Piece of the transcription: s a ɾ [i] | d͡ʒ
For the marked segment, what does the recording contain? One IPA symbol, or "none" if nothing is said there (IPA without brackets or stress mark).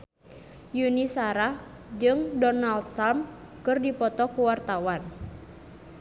a